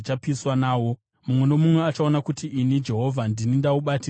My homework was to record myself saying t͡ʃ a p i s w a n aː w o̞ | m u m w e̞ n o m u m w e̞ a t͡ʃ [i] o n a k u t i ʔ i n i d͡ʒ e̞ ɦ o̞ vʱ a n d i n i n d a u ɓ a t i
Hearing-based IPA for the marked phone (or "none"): a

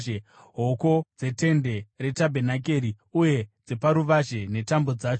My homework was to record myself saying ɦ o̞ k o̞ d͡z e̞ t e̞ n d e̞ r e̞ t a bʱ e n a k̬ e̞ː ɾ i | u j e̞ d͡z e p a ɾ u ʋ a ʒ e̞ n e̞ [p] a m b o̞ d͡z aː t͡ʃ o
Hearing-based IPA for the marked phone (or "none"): t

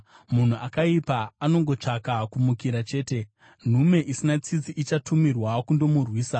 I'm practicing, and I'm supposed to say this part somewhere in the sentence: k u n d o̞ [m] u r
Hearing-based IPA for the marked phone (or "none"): m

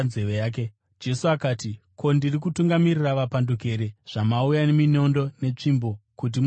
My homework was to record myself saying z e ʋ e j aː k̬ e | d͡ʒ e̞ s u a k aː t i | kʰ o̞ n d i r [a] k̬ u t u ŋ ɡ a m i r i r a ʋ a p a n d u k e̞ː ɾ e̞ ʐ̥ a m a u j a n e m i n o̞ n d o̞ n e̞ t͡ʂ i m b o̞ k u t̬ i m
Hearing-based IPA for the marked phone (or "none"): i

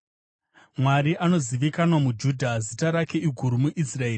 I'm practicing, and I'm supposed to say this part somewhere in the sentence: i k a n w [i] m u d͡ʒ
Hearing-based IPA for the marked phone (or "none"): a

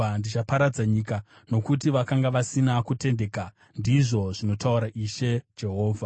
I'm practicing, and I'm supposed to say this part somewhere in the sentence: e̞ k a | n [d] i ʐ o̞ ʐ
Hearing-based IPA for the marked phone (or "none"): d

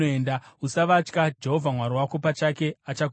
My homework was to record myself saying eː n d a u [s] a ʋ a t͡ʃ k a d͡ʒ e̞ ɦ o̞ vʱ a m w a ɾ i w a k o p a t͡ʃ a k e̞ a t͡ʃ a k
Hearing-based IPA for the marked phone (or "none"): s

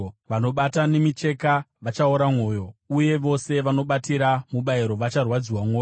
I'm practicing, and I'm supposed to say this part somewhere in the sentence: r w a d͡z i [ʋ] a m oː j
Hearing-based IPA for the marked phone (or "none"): w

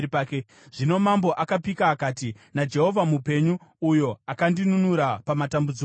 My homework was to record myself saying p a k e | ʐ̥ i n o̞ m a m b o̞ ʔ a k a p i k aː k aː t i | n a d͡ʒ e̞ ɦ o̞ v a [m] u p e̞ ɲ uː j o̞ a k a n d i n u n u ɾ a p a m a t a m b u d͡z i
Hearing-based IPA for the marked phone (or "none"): m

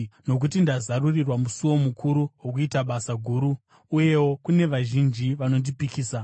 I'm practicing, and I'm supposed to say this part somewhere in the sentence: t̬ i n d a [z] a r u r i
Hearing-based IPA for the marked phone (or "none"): z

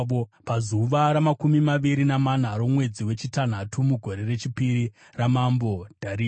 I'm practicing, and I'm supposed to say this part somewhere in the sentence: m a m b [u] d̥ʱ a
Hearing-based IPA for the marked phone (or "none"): o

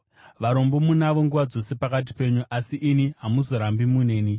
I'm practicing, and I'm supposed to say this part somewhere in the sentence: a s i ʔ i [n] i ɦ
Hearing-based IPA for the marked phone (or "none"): n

